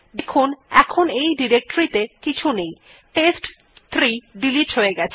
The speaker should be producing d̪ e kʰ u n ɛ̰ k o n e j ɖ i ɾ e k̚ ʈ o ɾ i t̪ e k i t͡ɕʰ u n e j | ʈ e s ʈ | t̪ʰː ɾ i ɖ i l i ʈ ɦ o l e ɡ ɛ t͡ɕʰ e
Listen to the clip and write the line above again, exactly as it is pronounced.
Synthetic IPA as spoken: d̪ e kʰ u n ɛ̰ kʰ o n e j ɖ i ɾ e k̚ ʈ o ɾ i t̪ e k i t͡ɕʰ u n e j | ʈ e s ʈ | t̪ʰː ɾ i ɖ i l i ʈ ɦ o e ɡ ɛ t͡ɕʰ e